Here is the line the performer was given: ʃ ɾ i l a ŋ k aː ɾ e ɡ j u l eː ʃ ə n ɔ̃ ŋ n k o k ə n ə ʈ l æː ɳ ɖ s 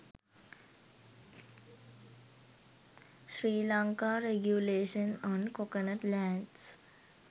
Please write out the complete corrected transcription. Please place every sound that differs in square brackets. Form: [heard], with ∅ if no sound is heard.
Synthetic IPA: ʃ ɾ [iː] l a ŋ k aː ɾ e ɡ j u l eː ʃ ə n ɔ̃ [∅] n k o k ə n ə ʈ l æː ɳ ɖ s